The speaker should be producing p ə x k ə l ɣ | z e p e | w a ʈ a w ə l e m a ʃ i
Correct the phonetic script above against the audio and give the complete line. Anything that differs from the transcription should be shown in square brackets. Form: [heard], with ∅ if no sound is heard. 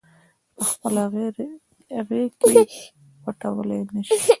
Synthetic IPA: p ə x [p] ə l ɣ | [ɣ] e [k] e | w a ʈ a w ə l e [n] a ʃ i